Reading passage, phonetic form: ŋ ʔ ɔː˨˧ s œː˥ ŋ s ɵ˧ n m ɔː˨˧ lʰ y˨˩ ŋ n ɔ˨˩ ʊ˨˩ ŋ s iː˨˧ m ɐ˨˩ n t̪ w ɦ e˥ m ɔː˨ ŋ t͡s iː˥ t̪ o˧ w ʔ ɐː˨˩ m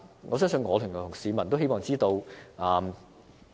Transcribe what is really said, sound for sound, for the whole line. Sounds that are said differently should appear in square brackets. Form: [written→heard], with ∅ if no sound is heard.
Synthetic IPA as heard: ŋ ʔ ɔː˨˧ s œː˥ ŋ s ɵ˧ n [m→ŋ] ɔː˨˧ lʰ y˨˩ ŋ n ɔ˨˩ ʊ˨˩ ŋ s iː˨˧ m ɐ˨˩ n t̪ w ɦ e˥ m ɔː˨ ŋ t͡s iː˥ t̪ o˧ w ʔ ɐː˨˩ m